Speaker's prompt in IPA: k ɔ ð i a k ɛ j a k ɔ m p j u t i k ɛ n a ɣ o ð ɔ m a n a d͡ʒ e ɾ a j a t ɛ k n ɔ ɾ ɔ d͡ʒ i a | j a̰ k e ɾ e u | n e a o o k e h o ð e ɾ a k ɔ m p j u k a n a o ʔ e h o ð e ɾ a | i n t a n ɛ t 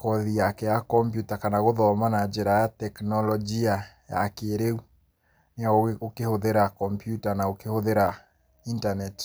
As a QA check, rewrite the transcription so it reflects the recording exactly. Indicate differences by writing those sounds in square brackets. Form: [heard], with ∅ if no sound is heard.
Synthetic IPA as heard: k ɔ ð i a k ɛ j a k ɔ m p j u t [a] k [a] n a ɣ o ð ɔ m a n a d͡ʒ e ɾ a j a t ɛ k n ɔ [l] ɔ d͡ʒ i a | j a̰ k e ɾ e u | n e a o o k e h o ð e ɾ a k ɔ m p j u [t] a n a o [k] e h o ð e ɾ a | i n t a n ɛ t